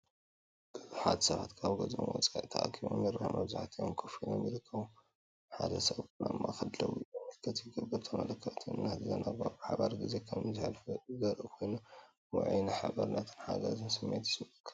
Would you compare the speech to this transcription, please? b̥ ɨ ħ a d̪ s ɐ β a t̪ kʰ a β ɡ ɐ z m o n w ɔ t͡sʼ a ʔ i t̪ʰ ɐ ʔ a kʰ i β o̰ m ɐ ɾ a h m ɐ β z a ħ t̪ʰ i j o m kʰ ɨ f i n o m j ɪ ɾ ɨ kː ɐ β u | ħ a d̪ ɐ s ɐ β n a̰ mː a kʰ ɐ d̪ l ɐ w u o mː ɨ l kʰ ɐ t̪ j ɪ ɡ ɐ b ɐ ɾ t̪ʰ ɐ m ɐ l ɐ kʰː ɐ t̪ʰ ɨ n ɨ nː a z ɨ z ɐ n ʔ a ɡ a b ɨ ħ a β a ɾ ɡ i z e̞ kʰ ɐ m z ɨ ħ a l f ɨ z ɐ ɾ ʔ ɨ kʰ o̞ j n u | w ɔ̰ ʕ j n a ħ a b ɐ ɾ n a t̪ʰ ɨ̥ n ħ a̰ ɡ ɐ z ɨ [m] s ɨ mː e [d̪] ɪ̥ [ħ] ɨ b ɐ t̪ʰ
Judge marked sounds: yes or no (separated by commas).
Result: no, no, no